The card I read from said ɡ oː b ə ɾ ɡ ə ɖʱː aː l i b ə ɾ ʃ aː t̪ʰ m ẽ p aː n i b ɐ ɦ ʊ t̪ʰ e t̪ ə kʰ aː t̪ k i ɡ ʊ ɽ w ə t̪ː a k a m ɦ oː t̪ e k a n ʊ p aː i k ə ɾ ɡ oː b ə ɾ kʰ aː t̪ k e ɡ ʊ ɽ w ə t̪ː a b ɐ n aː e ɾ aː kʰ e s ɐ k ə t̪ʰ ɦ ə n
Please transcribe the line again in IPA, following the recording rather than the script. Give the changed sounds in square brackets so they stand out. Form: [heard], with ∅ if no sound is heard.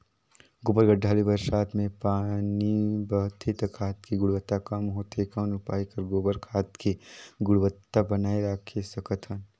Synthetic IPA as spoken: ɡ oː b ə ɾ ɡ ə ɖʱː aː l i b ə ɾ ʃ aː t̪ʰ m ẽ p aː n i b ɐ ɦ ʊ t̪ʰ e t̪ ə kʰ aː t̪ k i ɡ ʊ ɽ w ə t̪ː a k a m ɦ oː t̪ e k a n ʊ p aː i k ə ɾ ɡ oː b ə ɾ kʰ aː t̪ k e ɡ ʊ ɽ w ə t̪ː a b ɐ n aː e ɾ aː kʰ e s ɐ k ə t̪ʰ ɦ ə n